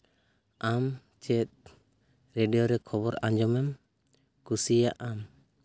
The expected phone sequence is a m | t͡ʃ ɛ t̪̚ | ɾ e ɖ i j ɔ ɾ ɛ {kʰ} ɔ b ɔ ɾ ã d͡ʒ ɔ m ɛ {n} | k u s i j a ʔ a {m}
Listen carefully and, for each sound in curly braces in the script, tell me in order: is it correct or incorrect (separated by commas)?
correct, incorrect, correct